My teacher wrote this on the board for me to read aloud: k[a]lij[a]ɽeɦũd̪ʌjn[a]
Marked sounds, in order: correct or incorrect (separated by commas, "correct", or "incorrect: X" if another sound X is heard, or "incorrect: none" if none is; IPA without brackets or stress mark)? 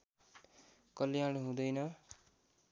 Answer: incorrect: ʌ, correct, incorrect: ʌ